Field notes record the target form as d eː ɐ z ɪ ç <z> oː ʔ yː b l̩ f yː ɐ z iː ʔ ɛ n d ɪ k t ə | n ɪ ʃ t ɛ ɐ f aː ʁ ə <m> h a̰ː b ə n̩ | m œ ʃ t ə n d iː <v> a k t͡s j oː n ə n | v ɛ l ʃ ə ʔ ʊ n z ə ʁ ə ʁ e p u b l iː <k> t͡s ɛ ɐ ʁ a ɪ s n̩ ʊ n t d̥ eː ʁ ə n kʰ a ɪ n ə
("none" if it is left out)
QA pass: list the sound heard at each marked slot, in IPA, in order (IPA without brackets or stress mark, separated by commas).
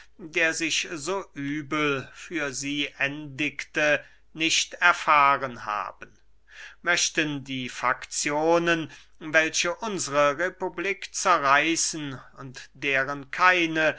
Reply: z, n, f, k